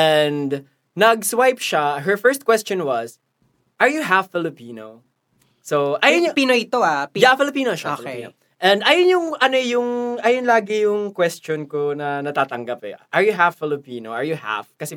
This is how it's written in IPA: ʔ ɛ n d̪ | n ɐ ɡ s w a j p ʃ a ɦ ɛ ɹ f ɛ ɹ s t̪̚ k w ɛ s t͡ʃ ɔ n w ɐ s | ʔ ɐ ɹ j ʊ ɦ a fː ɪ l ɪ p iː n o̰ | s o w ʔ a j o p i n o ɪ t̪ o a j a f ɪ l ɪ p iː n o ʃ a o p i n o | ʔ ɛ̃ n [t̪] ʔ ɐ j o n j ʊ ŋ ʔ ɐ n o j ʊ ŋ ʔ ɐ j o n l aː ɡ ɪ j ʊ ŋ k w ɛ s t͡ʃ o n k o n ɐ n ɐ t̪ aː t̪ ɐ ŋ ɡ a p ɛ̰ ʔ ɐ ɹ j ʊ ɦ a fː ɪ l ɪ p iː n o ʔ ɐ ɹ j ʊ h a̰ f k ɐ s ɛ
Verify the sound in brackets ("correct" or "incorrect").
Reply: incorrect